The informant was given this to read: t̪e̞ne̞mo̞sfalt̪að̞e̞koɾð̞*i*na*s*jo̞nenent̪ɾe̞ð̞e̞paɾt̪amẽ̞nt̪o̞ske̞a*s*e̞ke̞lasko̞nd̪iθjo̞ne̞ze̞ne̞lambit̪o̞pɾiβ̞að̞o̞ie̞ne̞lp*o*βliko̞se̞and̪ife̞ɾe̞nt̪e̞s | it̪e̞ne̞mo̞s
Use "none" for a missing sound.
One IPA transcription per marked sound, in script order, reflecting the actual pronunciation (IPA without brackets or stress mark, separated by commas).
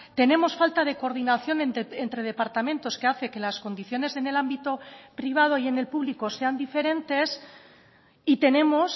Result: i, θ, θ, u